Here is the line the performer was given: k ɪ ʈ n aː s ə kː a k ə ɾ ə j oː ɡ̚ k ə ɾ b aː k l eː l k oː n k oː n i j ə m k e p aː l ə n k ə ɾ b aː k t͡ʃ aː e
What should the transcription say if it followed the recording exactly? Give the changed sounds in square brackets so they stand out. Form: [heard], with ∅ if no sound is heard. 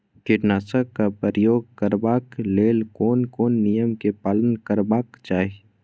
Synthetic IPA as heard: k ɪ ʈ n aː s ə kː a [p] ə ɾ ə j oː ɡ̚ k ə ɾ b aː k l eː l k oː n k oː [nː] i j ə m k e p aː l ə n k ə ɾ b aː k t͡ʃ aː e